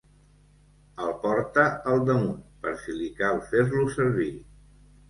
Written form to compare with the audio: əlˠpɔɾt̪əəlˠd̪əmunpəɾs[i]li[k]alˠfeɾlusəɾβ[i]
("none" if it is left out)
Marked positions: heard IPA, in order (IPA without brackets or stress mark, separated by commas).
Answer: i, k, i